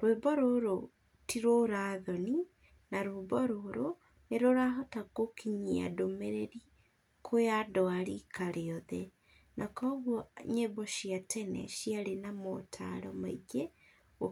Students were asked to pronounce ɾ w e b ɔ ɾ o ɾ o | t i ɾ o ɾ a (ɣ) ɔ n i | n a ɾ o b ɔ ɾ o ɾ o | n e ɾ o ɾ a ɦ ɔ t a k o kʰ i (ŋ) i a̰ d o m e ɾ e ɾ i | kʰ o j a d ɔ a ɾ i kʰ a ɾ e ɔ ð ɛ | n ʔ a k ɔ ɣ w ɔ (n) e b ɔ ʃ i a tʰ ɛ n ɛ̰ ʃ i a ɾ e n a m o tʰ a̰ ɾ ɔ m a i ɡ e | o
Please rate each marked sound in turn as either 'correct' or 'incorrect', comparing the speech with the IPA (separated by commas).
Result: incorrect, incorrect, incorrect